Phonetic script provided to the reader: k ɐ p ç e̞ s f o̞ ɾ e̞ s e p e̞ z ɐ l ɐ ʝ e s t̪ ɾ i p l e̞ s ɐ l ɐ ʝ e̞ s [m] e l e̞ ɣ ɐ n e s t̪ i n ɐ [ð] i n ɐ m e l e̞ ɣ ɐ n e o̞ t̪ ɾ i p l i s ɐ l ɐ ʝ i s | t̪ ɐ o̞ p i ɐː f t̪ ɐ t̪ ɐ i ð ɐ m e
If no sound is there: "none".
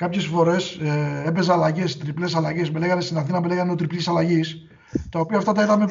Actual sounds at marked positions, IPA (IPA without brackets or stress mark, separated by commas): m, θ